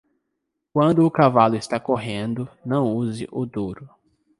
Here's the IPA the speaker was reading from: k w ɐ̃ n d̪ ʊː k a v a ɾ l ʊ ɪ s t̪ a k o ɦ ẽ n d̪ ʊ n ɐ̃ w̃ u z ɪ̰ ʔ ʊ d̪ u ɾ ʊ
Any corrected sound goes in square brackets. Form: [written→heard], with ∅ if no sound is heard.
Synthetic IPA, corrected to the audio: k w ɐ̃ n d̪ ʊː k a v a [ɾ→∅] l ʊ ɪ s t̪ a k o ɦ ẽ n d̪ ʊ n ɐ̃ w̃ u z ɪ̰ ʔ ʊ d̪ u ɾ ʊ